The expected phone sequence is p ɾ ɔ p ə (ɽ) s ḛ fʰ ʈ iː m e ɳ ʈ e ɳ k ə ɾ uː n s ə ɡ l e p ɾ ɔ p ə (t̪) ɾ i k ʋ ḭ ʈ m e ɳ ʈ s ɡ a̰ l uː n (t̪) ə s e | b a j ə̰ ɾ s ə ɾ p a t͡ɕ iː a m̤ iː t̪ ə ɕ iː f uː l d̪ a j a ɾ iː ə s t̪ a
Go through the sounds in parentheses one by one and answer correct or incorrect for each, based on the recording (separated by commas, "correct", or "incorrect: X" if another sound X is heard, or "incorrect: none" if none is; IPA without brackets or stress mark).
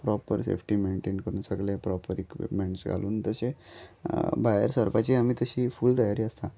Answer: incorrect: ɾ, incorrect: none, correct